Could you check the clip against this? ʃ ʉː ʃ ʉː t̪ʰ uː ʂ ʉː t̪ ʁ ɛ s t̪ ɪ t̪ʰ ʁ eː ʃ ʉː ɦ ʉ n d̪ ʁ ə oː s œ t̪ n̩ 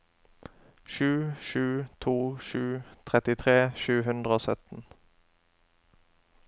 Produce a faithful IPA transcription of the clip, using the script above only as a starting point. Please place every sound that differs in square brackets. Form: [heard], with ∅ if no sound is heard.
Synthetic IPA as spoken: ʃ ʉː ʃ ʉː t̪ʰ uː [ʃ] ʉː [t̪ʰ] ʁ ɛ [∅] t̪ ɪ t̪ʰ ʁ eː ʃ ʉː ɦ ʉ n d̪ ʁ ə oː s œ t̪ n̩